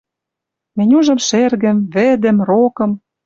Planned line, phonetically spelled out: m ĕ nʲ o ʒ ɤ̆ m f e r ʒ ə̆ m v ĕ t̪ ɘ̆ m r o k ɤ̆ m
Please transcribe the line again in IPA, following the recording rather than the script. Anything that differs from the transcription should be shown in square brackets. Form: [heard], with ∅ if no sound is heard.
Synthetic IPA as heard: m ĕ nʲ [u] ʒ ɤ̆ m [ʃ] e r [ɣ] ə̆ m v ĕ [d̪] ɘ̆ m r o k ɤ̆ m